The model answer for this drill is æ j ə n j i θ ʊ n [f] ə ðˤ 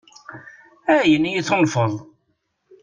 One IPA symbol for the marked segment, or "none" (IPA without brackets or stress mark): f